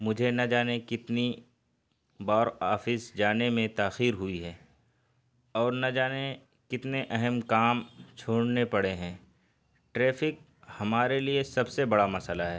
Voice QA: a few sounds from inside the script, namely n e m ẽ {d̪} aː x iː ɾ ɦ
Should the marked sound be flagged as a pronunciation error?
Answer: yes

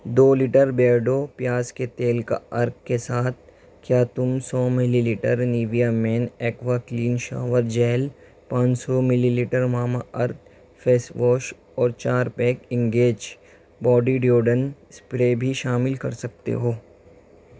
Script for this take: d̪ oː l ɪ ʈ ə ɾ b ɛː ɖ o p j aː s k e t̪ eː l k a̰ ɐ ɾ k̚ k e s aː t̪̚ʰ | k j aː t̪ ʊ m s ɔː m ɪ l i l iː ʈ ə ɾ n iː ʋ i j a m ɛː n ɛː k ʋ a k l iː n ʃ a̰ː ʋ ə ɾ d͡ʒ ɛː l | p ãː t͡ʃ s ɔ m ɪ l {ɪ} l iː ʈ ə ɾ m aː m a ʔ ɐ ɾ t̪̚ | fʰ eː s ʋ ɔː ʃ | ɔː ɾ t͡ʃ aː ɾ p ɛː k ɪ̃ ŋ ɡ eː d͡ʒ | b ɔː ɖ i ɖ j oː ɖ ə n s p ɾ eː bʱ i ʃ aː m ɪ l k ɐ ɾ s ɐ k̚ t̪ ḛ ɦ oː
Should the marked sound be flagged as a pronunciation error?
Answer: yes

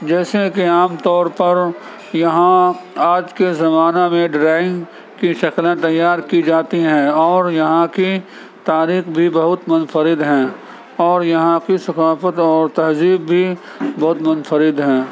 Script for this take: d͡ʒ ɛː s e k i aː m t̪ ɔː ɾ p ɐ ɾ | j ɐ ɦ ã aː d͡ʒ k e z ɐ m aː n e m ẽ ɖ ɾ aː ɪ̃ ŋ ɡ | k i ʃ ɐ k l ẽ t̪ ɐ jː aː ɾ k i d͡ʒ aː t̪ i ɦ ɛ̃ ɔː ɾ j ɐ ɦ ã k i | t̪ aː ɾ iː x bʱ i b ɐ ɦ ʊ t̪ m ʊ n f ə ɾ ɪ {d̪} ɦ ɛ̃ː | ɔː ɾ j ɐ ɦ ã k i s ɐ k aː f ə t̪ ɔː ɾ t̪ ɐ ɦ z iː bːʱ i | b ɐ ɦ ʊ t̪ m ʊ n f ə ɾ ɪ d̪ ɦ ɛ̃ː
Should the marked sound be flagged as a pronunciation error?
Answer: no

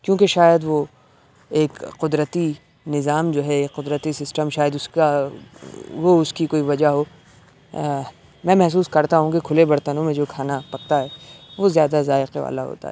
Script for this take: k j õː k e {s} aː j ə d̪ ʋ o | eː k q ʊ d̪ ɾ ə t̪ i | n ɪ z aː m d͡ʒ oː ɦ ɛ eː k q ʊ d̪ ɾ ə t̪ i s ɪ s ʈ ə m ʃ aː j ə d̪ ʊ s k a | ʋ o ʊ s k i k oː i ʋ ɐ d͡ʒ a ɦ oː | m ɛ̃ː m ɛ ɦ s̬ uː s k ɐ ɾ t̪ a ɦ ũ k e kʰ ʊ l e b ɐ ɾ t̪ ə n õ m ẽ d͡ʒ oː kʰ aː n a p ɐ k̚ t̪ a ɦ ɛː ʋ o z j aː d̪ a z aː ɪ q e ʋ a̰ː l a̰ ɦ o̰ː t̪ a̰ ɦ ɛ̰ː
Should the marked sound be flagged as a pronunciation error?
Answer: yes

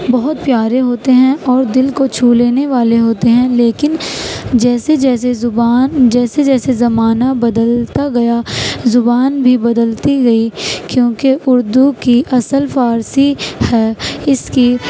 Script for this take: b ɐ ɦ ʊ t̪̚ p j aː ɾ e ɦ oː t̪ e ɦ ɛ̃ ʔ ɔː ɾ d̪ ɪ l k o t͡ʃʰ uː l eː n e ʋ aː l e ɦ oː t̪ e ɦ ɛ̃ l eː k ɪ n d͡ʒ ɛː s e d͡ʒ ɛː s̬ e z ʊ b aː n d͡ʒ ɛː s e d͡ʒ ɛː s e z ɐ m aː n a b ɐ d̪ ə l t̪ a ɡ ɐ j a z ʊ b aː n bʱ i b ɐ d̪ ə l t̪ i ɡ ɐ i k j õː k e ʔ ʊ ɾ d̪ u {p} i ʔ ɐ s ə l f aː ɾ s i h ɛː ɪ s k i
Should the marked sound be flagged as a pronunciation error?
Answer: yes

